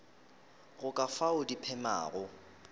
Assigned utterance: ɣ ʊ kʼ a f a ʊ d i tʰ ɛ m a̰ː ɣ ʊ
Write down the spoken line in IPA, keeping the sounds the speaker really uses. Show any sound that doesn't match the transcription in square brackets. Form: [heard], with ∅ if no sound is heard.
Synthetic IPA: ɣ ʊ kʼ a f a ʊ d i [pʰ] ɛ m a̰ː ɣ ʊ